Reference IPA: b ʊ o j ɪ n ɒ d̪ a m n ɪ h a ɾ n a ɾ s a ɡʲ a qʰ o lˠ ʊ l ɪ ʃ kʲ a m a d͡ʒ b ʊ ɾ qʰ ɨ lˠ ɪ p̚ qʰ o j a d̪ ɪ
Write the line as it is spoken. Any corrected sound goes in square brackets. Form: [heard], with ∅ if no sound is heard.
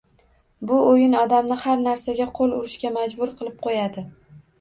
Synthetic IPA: b ʊ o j ɪ n ɒ d̪ a m n ɪ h a ɾ n a ɾ s a ɡʲ a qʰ o lˠ ʊ [ɾ] ɪ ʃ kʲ a m a d͡ʒ b ʊ ɾ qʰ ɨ lˠ ɪ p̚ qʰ o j a d̪ ɪ